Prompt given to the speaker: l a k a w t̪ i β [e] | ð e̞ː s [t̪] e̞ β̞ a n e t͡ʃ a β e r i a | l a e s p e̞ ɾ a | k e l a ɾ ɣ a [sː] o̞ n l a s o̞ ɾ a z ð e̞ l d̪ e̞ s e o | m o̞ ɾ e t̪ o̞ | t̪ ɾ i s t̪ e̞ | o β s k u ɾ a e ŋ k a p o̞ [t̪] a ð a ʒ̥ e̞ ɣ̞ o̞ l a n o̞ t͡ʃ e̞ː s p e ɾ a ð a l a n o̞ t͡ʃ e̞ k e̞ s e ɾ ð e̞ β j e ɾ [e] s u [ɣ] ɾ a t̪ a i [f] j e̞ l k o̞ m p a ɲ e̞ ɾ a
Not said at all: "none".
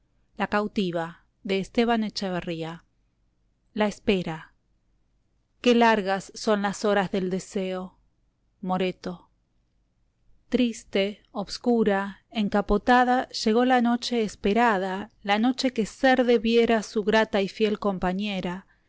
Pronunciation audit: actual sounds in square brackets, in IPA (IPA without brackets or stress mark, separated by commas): a, t̪, sː, t̪, a, ɣ, f